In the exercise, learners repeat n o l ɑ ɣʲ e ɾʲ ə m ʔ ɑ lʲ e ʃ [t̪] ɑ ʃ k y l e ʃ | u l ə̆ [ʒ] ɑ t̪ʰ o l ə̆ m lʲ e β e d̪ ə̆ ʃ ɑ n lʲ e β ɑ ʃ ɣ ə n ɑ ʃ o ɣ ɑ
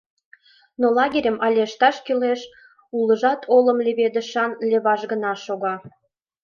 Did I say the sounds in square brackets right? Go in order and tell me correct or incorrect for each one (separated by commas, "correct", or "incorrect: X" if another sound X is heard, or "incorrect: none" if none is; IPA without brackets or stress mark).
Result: correct, correct